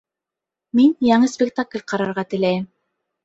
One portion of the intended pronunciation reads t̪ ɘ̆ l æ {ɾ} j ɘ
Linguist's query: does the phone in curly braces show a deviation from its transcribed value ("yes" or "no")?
yes